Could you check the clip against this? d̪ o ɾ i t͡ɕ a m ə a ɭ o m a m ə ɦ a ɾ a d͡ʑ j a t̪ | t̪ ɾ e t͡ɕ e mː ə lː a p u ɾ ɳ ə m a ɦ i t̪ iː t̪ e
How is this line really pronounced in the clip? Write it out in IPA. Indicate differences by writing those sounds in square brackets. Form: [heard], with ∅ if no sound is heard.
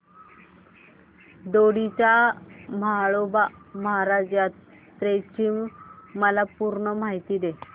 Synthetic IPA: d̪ o [ɽ] i t͡ɕ a m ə a ɭ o [b] a m ə ɦ a ɾ a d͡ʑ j a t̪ | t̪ ɾ e t͡ɕ [i] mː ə [l] a p u ɾ ɳ ə m a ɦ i t̪ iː [d̪] e

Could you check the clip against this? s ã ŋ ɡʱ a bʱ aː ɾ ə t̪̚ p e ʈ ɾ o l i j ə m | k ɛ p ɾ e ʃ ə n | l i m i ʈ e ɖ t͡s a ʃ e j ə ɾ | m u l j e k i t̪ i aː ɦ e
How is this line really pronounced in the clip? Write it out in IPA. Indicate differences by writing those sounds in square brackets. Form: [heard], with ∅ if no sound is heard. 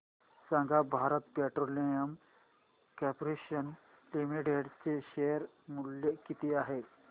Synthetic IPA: s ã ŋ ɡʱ a bʱ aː ɾ ə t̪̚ p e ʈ ɾ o l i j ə m | k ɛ p ɾ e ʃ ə n | l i m i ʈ e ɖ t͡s [e] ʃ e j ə ɾ | m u l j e k i t̪ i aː ɦ e

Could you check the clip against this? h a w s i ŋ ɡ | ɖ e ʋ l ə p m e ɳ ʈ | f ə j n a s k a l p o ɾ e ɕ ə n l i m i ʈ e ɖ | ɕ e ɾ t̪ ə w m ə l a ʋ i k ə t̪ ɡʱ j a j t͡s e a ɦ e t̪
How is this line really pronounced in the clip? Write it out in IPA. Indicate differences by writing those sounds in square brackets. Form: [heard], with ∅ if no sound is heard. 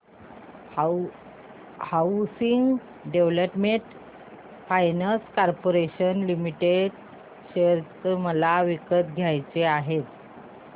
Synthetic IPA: h a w s i ŋ ɡ | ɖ e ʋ l ə p m e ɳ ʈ | f [a] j n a s k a [ɾ] p o ɾ e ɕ ə n l i m i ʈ e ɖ | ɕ e ɾ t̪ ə [∅] m ə l a ʋ i k ə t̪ ɡʱ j a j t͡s e a ɦ e t̪

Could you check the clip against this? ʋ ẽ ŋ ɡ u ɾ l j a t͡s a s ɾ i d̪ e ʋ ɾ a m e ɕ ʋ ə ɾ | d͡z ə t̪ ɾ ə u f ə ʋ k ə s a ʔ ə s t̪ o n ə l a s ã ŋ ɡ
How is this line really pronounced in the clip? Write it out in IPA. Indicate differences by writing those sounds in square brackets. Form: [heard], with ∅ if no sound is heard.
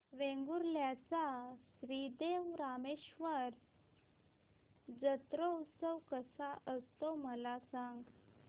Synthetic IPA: ʋ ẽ ŋ ɡ u ɾ l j a t͡s a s ɾ i d̪ e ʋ ɾ a m e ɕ ʋ ə ɾ | d͡z ə t̪ ɾ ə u [s] ə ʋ k ə s a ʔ ə s t̪ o [m] ə l a s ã ŋ ɡ

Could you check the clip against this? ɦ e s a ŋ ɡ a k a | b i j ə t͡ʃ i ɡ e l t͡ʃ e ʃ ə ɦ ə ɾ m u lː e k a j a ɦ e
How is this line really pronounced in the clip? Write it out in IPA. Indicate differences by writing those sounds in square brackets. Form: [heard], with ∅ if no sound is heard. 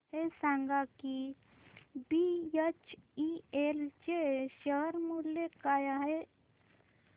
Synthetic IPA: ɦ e s a ŋ ɡ a k [i] | b i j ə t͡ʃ i [∅] e l t͡ʃ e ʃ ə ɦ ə ɾ m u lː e k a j a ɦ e

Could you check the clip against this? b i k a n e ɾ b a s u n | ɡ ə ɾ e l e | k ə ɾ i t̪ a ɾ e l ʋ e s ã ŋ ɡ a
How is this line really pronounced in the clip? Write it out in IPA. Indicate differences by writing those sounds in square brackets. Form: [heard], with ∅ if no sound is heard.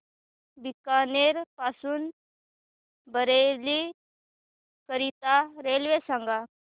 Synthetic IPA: b i k a n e ɾ [p] a s [uː] n | [b] ə ɾ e l [i] | k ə ɾ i t̪ a ɾ e l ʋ e s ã ŋ ɡ a

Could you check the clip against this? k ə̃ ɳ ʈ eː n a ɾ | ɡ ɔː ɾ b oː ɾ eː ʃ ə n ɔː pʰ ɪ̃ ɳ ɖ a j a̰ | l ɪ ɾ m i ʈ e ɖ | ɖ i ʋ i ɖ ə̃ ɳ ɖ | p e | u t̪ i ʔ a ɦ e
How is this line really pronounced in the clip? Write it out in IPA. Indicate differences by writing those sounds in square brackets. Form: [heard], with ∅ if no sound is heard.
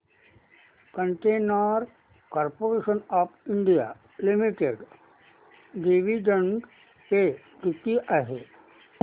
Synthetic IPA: k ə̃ ɳ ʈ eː n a ɾ | [k] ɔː ɾ [p] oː ɾ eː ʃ ə n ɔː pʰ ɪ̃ ɳ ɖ [i] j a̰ | l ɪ [∅] m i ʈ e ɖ | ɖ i ʋ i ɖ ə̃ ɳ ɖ | p e | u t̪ i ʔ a ɦ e

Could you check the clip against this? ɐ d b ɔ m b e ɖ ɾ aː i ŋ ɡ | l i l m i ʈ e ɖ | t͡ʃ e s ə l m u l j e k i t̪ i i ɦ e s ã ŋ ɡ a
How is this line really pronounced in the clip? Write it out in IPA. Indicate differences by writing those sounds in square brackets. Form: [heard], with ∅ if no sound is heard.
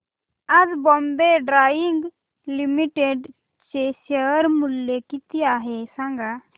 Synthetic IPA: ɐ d b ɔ m b e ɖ ɾ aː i ŋ ɡ | l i [∅] m i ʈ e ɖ | t͡ʃ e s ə [ɾ] m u l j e k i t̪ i [a] ɦ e s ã ŋ ɡ a

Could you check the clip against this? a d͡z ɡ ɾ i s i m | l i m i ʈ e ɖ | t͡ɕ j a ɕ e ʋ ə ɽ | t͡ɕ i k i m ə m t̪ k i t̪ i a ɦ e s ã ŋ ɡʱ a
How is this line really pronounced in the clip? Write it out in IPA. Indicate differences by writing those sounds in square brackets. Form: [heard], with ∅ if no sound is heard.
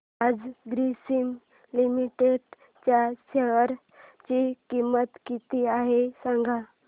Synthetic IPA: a d͡z ɡ ɾ i s i m | l i m i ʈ e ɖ | t͡ɕ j a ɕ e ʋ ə [ɾ] | t͡ɕ i k i m ə [∅] t̪ k i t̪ i a ɦ e s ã ŋ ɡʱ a

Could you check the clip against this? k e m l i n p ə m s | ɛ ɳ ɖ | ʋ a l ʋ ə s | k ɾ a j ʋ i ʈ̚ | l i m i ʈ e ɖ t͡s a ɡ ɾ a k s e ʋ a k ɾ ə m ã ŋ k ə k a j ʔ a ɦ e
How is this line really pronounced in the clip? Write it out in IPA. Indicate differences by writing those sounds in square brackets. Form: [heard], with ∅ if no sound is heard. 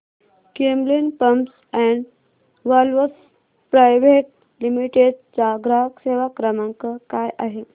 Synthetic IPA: k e m l i n p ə m s | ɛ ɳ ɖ | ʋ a l ʋ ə s | [p] ɾ a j ʋ [e] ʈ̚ | l i m i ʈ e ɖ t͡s a ɡ ɾ a k s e ʋ a k ɾ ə m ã ŋ k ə k a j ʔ a ɦ e

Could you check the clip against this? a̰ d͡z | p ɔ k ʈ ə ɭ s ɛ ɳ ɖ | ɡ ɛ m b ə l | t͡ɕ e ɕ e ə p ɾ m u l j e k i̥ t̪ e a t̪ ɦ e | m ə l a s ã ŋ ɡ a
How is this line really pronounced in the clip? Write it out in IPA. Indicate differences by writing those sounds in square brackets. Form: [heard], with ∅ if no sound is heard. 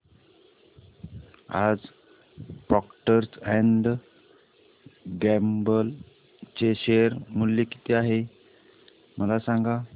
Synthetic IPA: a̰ d͡z | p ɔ k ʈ ə [ɾ] s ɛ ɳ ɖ | ɡ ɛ m b ə l | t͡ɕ e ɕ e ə [∅] ɾ m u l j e k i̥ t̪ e a [∅] ɦ e | m ə l a s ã ŋ ɡ a

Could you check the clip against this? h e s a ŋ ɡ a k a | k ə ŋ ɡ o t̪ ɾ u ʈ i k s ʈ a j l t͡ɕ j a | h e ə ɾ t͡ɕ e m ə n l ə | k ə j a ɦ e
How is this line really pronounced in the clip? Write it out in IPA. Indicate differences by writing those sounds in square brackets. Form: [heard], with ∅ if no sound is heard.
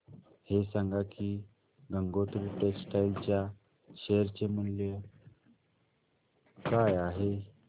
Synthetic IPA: h e s a ŋ ɡ a k [i] | [ɡ] ə ŋ ɡ o t̪ ɾ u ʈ [e] k s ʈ a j l t͡ɕ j a | [ɕ] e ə ɾ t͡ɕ e m ə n l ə | k [a] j a ɦ e

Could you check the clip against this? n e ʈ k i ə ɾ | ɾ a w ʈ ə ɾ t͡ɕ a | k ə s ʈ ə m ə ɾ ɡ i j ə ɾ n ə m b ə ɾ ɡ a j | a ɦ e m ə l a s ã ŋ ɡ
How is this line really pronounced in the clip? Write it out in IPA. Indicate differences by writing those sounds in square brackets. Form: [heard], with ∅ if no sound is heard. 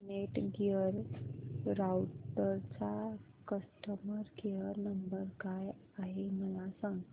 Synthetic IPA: n e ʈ [ɡ] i ə ɾ | ɾ a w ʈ ə ɾ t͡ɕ a | k ə s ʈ ə m ə ɾ ɡ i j ə ɾ n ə m b ə ɾ [k] a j | a ɦ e m ə l a s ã ŋ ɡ

